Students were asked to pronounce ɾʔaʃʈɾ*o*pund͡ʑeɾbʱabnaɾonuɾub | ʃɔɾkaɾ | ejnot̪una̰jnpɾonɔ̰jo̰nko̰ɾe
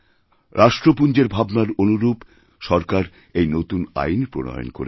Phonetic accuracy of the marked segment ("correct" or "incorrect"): correct